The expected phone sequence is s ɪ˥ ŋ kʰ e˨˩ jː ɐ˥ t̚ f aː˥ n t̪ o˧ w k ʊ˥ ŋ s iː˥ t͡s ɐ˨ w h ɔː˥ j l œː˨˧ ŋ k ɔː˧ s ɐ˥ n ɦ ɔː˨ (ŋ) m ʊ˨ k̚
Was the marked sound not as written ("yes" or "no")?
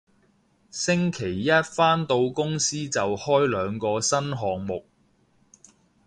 no